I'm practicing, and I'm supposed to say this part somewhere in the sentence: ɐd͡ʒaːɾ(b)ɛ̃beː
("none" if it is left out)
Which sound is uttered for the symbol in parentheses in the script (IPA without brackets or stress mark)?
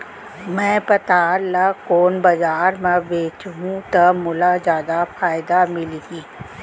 m